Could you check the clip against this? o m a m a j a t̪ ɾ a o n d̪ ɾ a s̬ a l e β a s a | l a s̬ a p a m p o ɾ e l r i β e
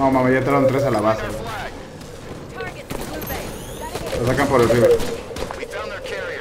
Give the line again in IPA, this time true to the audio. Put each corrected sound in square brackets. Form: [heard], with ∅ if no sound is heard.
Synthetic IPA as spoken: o m a m a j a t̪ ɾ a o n [t̪] ɾ [e] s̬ a l [a] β a s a | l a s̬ a [k] a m p o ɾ e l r i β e

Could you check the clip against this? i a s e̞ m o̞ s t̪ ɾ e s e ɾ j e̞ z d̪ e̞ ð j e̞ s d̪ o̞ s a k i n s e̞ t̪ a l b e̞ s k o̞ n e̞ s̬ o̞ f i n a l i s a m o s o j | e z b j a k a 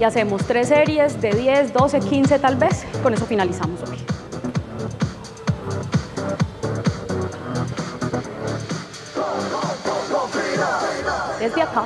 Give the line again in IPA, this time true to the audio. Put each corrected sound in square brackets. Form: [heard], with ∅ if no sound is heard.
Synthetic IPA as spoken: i a s e̞ m o̞ s t̪ ɾ e s e ɾ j e̞ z d̪ e̞ ð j e̞ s d̪ o̞ s [e] k i n s e̞ t̪ a l b e̞ s k o̞ n e̞ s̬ o̞ f i n a l i s a m o s o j | e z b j a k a

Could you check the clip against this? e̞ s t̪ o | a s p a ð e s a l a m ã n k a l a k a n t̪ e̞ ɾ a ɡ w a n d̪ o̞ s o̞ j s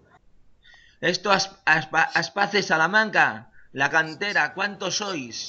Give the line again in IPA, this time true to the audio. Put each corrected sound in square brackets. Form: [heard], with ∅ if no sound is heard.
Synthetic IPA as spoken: e̞ s t̪ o | a s p a [θ] e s a l a m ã [ŋ] k a l a k a n t̪ e̞ ɾ a [k] w a n [t̪] o̞ s o̞ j s

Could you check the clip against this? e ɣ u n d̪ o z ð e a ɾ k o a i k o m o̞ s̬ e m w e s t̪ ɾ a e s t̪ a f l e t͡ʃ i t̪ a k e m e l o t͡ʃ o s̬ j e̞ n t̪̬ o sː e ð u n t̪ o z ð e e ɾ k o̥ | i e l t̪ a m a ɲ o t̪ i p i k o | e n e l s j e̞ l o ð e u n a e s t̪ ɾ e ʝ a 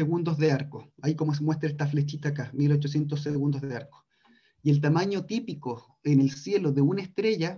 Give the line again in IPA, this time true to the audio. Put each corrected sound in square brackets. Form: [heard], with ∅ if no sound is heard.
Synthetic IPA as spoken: e ɣ u n d̪ o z ð e a ɾ k o a i k o m o̞ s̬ e m w e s t̪ ɾ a e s t̪ a f l e t͡ʃ i t̪ a k [a] m [i] l o t͡ʃ o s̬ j e̞ n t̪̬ o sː e [ɣ] u n [d̪] o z ð e [a] ɾ k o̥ | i e l t̪ a m a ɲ o t̪ i p i k o | e n e l s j e̞ l o ð e u n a e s t̪ ɾ e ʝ a

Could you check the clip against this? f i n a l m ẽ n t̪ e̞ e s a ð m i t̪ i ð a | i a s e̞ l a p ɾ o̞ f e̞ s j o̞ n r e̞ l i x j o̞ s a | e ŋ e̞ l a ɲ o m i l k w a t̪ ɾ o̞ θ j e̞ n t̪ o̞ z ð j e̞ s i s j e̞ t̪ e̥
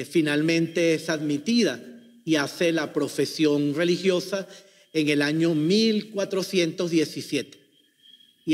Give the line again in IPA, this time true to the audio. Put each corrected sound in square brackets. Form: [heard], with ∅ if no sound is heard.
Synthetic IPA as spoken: f i n a l m ẽ n t̪ e̞ e s a ð m i t̪ i ð a | i a s e̞ l a p ɾ o̞ f e̞ s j o̞ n r e̞ l i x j o̞ s a | e ŋ e̞ l a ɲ o m i l k w a t̪ ɾ o̞ [s] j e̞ n t̪ o̞ z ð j e̞ s i s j e̞ t̪ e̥

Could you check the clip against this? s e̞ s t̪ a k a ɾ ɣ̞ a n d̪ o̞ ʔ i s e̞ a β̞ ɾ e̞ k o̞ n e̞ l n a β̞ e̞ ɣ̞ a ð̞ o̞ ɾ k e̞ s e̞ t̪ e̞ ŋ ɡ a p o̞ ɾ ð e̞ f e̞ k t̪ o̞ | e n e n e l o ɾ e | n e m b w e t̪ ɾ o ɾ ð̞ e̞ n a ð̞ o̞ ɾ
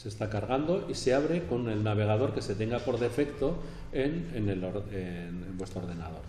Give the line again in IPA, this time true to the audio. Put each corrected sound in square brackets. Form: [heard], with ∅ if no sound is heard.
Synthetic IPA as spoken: s e̞ s t̪ a k a ɾ ɣ̞ a n d̪ o̞ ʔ i s e̞ a β̞ ɾ e̞ k o̞ n e̞ l n a β̞ e̞ ɣ̞ a ð̞ o̞ ɾ k e̞ s e̞ t̪ e̞ ŋ ɡ a p o̞ ɾ ð e̞ f e̞ k t̪ o̞ | e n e n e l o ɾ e | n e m b w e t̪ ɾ o ɾ ð̞ e̞ n a ð̞ o̞ ɾ

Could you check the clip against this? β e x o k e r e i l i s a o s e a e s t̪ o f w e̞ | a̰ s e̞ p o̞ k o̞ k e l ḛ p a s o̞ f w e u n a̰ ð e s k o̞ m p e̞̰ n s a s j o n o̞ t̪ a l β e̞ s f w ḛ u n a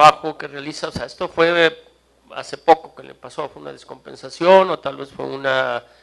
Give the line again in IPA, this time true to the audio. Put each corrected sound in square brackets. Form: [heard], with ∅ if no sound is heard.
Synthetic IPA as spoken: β [a] x o k e r e [a] l i s a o s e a e s t̪ o f w e̞ | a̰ s e̞ p o̞ k o̞ k e l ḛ p a s o̞ f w e u n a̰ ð e s k o̞ m p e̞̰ n s a s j o n o̞ t̪ a l β e̞ s f w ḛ u n a

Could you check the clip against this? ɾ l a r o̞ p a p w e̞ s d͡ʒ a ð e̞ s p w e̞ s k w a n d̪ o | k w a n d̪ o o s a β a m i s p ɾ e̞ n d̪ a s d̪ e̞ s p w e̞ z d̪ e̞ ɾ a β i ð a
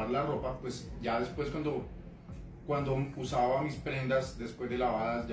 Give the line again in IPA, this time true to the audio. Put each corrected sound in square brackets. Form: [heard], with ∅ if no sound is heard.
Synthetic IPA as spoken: ɾ l a r o̞ p a p w e̞ s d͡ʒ a ð e̞ s p w e̞ s k w a n d̪ o | k w a n d̪ o [u] s a β a m i s p ɾ e̞ n d̪ a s d̪ e̞ s p w e̞ z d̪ e̞ [l] a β [a] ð a

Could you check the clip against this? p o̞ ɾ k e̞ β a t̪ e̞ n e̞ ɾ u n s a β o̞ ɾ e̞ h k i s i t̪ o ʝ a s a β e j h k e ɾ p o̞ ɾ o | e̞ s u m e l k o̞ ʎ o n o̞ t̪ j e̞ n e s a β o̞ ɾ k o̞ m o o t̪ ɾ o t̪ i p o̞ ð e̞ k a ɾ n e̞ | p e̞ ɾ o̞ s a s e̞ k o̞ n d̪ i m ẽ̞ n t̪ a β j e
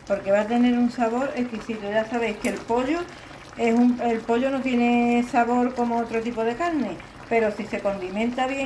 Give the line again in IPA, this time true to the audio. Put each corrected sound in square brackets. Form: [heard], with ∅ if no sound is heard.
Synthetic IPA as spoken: p o̞ ɾ k e̞ β a t̪ e̞ n e̞ ɾ u n s a β o̞ ɾ e̞ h k i s i t̪ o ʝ a s a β e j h k e [l] p o̞ [ʎ] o | e̞ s u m e l [p] o̞ ʎ o n o̞ t̪ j e̞ n e s a β o̞ ɾ k o̞ m o o t̪ ɾ o t̪ i p o̞ ð e̞ k a ɾ n e̞ | p e̞ ɾ o̞ s [i] s e̞ k o̞ n d̪ i m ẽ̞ n t̪ a β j e

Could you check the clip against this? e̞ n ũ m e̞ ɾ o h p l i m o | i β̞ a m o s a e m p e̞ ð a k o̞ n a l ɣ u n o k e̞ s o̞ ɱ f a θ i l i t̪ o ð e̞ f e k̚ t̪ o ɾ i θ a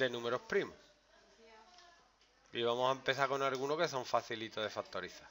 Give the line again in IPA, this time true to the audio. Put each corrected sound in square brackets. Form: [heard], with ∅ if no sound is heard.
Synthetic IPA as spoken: e̞ n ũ m e̞ ɾ o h p [ɾ] i m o | i β̞ a m o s a e m p e̞ [θ] a k o̞ n a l ɣ u n o k e̞ s o̞ ɱ f a θ i l i t̪ o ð e̞ f [a] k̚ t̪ o ɾ i θ a

